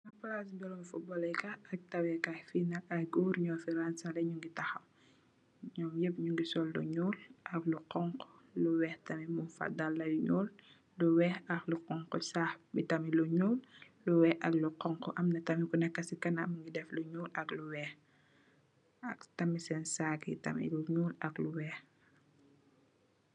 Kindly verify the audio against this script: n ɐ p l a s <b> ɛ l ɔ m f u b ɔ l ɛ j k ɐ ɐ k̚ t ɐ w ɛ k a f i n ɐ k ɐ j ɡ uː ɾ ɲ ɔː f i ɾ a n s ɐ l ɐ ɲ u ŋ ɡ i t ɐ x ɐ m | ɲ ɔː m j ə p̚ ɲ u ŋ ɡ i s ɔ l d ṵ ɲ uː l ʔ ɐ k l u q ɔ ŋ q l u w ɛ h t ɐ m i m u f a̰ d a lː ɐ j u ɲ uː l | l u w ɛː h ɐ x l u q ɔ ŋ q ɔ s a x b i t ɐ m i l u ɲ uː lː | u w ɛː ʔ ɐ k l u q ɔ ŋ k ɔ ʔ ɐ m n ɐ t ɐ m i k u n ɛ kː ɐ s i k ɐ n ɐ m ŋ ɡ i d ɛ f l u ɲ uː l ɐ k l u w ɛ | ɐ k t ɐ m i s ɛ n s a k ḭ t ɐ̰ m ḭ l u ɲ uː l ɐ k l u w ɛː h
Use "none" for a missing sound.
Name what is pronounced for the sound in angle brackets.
b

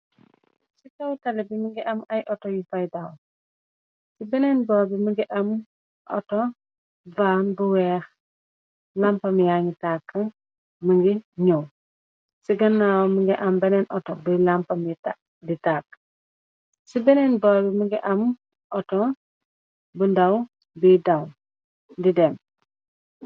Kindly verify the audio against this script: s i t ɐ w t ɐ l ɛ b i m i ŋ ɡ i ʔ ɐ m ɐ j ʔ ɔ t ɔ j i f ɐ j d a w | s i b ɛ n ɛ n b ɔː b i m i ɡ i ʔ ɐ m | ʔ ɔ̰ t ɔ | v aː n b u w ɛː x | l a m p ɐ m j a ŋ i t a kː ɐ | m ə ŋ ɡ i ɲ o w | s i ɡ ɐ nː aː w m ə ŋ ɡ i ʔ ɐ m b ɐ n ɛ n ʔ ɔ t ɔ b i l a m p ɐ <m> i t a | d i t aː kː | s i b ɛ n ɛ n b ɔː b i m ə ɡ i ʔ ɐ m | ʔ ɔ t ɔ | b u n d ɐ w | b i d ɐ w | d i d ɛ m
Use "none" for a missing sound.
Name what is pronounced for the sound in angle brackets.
m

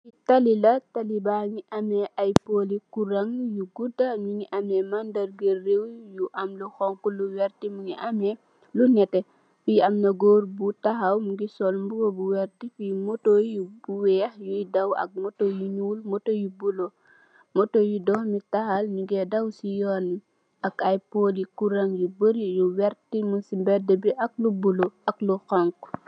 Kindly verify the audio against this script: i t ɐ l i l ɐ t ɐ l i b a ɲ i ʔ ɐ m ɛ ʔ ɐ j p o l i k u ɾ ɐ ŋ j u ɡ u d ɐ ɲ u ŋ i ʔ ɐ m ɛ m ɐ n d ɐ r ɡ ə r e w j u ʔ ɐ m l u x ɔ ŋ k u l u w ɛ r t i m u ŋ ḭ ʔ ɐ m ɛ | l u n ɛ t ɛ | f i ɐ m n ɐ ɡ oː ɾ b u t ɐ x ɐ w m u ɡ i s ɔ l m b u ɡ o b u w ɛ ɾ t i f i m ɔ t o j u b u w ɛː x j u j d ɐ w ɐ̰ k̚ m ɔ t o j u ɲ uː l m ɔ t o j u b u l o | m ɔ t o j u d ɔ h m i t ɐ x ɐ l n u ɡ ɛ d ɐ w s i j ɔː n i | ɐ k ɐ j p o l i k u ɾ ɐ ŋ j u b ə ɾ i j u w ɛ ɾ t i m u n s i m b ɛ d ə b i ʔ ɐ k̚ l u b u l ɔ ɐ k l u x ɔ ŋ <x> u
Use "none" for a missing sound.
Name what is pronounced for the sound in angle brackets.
k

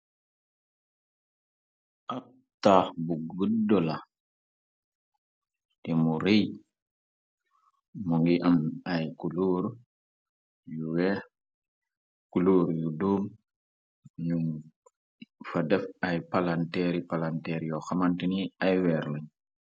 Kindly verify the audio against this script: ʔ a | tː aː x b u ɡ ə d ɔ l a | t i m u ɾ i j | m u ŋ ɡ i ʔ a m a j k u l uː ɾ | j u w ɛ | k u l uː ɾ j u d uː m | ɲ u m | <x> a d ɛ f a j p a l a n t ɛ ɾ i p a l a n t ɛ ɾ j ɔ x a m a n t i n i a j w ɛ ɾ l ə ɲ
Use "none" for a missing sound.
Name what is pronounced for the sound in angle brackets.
f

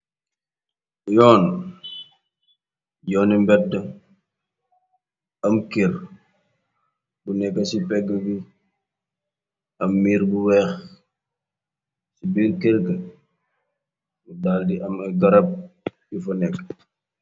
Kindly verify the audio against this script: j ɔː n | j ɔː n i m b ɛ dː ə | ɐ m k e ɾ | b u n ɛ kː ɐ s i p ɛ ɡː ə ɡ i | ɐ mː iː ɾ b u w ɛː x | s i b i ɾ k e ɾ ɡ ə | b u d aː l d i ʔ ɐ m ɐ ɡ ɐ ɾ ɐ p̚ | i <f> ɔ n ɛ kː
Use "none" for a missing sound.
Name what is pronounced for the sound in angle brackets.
f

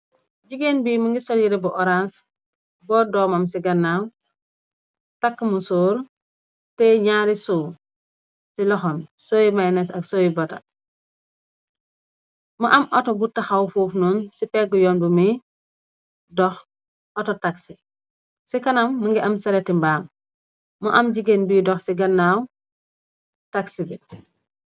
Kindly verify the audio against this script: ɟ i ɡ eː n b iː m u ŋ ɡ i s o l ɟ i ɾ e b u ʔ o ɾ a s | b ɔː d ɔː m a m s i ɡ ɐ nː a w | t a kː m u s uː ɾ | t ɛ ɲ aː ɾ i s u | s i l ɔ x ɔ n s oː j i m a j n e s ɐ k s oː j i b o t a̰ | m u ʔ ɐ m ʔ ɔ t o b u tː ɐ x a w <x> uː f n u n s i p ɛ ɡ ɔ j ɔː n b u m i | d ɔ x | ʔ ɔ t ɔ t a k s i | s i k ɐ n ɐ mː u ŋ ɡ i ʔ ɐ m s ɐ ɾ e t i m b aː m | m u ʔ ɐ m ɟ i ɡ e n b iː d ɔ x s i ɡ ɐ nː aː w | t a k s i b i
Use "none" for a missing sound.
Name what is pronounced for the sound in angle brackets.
f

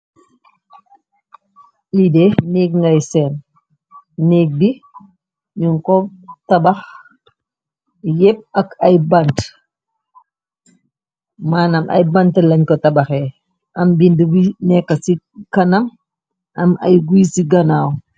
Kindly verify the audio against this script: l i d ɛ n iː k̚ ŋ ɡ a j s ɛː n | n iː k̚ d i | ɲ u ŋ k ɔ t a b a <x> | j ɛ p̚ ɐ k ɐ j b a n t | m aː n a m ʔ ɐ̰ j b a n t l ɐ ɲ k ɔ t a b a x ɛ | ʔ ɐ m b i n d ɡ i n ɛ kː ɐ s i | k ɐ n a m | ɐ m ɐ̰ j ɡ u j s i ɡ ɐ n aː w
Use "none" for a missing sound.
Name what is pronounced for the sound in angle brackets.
x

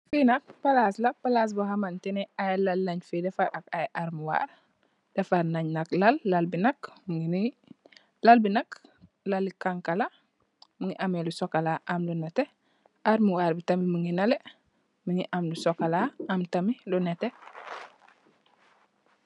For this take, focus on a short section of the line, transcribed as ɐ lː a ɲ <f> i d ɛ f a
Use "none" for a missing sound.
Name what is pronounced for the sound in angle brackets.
f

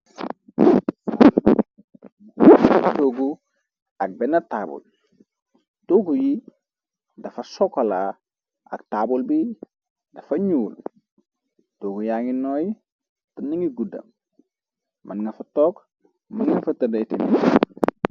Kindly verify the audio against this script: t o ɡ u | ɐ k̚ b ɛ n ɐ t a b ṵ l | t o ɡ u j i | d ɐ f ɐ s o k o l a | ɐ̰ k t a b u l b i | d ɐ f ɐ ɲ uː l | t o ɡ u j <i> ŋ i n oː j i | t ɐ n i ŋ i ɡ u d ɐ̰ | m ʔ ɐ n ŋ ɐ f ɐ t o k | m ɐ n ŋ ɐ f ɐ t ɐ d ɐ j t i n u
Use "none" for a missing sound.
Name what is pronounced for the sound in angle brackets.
a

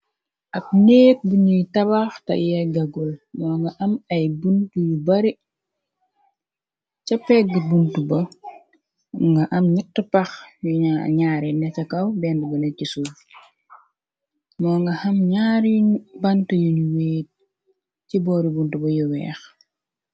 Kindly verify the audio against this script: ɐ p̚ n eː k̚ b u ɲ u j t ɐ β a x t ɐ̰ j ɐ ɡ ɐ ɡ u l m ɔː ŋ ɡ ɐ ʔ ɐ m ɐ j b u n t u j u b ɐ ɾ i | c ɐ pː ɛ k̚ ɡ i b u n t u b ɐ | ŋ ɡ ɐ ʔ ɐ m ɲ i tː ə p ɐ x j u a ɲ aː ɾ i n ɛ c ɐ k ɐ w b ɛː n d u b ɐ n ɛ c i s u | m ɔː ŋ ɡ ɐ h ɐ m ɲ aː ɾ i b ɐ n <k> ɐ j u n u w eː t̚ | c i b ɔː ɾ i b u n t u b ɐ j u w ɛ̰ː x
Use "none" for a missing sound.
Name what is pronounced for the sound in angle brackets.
t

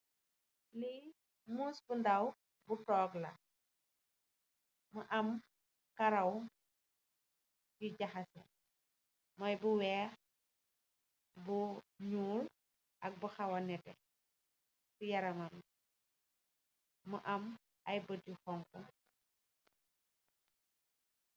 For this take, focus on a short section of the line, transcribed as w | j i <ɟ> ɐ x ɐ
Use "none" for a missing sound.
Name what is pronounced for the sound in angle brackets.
ɟ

